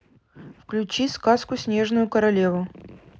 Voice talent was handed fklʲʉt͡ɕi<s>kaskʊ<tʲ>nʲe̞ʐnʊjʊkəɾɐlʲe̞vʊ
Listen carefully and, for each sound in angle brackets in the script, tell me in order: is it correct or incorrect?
correct, incorrect: sʲ

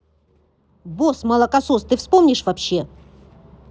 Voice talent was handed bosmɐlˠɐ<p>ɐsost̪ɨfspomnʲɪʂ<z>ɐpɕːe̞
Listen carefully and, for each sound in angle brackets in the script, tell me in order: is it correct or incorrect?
incorrect: k, incorrect: v

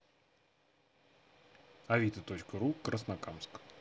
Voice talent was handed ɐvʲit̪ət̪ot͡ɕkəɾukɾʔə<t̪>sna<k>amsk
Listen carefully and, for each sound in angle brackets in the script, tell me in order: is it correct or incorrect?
incorrect: none, correct

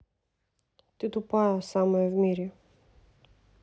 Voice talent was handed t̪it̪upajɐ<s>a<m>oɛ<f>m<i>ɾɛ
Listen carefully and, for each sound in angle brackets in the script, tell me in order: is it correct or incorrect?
correct, correct, incorrect: v, correct

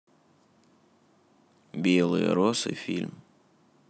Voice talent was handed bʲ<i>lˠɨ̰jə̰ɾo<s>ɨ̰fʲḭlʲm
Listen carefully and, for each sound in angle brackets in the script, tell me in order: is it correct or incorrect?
incorrect: e, correct

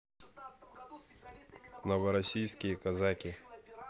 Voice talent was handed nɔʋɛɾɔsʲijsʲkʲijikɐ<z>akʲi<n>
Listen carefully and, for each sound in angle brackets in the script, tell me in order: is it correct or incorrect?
correct, incorrect: none

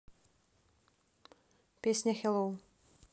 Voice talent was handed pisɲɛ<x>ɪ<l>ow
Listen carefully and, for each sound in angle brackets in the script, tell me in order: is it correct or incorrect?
correct, correct

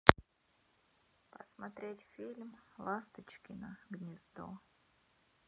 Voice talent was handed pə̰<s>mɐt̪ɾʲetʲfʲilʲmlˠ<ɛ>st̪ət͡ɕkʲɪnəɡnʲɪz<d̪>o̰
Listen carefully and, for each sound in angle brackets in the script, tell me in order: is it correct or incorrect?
correct, incorrect: a, correct

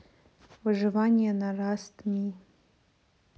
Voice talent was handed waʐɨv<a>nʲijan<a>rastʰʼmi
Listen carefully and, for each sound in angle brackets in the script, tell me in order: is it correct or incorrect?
correct, correct

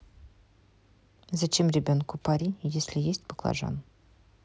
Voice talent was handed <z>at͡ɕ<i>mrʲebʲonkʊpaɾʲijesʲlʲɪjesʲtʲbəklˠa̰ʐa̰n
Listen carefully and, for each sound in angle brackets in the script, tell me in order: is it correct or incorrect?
correct, incorrect: e

